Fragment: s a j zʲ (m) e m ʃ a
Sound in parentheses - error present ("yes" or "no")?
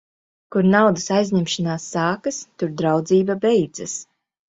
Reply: yes